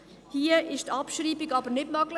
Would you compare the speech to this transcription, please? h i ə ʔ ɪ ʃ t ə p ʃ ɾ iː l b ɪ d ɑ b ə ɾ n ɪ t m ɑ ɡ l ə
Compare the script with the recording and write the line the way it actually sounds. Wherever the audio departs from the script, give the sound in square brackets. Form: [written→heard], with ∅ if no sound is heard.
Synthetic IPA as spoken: h i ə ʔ ɪ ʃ t [ə→ɑ] p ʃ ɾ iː [l→∅] b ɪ [d→ɡ] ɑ b ə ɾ n ɪ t m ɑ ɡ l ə